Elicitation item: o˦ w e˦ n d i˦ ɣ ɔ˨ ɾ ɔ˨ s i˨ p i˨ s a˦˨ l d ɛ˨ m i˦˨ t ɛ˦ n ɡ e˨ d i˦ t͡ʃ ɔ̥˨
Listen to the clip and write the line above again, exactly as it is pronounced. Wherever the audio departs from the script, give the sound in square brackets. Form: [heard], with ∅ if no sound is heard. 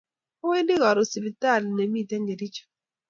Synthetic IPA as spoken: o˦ w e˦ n d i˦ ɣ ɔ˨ ɾ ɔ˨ s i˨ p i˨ [t] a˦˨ l [n] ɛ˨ m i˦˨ t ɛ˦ [ŋ] ɡ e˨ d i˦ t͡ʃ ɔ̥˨